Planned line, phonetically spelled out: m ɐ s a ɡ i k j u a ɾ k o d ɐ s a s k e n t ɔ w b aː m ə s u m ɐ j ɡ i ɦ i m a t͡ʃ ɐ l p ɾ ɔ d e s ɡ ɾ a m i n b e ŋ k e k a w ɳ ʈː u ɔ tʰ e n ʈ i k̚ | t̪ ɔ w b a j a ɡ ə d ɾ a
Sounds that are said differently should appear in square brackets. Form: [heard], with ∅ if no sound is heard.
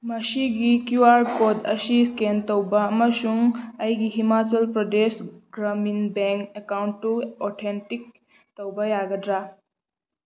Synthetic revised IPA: m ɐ s [i] ɡ i k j u a ɾ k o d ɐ s [i] s k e n t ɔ w b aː m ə s u [ŋ] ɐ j ɡ i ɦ i m a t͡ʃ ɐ l p ɾ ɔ d e s ɡ ɾ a m i n b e ŋ k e k a w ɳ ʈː u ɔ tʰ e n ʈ i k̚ | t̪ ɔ w b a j a ɡ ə d ɾ a